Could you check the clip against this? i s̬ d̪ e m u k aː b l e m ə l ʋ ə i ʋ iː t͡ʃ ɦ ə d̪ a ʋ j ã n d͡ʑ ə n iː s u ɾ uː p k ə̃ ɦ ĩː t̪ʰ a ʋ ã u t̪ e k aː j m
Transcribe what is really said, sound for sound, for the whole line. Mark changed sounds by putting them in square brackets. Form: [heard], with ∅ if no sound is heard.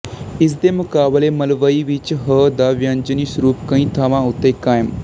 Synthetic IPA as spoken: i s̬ d̪ e m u k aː b l e m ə l ʋ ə i ʋ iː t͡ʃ ɦ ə d̪ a ʋ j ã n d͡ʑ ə n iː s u ɾ uː p k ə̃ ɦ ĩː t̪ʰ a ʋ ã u t̪ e k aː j m